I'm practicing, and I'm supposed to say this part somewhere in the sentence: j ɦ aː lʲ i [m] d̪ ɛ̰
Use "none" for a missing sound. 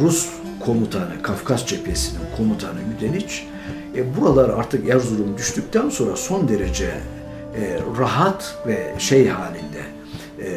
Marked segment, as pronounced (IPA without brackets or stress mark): n